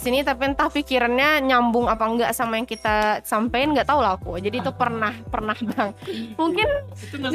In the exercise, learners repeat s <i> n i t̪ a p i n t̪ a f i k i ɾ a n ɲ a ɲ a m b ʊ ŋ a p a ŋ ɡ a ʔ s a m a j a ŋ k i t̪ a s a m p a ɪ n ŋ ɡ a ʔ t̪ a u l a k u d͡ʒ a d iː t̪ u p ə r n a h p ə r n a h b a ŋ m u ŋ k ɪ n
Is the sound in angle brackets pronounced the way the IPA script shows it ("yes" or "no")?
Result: yes